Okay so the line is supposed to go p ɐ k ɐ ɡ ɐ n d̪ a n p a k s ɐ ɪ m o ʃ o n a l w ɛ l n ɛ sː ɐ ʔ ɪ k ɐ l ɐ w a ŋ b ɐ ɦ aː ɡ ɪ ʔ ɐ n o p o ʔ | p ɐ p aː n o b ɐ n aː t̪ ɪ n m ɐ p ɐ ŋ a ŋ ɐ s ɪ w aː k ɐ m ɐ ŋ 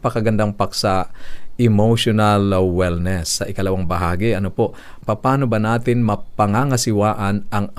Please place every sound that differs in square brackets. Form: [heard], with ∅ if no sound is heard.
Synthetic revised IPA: p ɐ k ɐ ɡ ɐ n d̪ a [ŋ] p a k s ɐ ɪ m o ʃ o n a l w ɛ l n ɛ sː ɐ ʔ ɪ k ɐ l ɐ w a ŋ b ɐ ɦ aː ɡ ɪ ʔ ɐ n o p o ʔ | p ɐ p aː n o b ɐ n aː t̪ ɪ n m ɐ p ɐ ŋ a ŋ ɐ s ɪ w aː [ʔ] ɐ [n] ɐ ŋ